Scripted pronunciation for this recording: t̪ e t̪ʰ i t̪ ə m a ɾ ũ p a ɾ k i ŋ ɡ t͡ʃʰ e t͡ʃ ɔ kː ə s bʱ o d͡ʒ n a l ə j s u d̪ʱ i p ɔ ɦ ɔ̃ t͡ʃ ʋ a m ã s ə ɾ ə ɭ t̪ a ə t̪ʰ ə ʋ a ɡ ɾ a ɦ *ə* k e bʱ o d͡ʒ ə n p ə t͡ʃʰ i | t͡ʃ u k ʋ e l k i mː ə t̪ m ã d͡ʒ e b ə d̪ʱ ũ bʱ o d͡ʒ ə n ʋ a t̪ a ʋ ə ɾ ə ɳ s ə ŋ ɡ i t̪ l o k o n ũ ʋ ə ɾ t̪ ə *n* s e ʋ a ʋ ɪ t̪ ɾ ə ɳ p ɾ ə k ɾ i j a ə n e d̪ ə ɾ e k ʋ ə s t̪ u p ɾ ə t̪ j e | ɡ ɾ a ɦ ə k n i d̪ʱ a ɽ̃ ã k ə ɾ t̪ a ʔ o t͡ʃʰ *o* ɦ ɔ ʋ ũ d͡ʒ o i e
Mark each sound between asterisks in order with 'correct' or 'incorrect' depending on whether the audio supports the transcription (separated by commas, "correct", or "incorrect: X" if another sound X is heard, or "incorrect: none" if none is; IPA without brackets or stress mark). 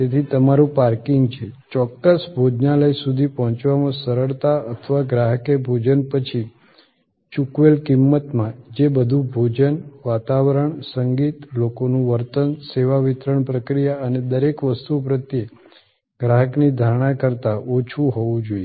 correct, correct, incorrect: u